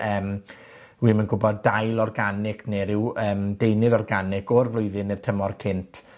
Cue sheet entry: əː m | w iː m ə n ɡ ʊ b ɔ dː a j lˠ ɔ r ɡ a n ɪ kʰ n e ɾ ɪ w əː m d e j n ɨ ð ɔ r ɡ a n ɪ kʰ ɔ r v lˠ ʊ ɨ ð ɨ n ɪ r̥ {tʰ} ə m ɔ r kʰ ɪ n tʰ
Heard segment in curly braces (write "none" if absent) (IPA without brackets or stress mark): tʰ